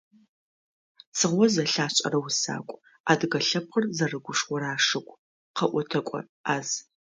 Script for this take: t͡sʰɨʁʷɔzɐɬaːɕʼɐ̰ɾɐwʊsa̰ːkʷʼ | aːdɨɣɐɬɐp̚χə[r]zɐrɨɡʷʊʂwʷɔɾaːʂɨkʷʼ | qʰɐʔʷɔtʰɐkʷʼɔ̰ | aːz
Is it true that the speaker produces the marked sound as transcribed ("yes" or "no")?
yes